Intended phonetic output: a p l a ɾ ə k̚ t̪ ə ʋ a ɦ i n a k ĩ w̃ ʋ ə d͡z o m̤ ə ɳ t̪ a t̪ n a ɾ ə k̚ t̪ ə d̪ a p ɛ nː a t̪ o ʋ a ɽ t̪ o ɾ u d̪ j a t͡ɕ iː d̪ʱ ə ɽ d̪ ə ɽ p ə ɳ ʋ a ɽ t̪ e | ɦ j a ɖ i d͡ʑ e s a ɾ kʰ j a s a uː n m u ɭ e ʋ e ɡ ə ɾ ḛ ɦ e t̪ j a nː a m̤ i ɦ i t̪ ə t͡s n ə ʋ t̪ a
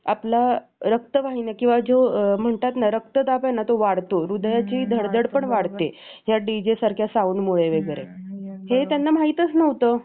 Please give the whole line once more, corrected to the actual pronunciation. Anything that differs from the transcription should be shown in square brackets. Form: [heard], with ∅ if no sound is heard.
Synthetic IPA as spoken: a p l a ɾ ə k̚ t̪ ə ʋ a ɦ i n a k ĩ w̃ ʋ [a] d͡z o m̤ ə ɳ t̪ a t̪ n a ɾ ə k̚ t̪ ə d̪ a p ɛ [n] a t̪ o ʋ a ɽ t̪ o ɾ u d̪ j a t͡ɕ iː d̪ʱ ə ɽ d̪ ə ɽ p ə ɳ ʋ a ɽ t̪ e | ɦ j a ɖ i d͡ʑ e s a ɾ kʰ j a s a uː n m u ɭ e ʋ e ɡ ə ɾ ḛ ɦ e t̪ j a nː a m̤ [a] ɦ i t̪ ə t͡s n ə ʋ t̪ [ə]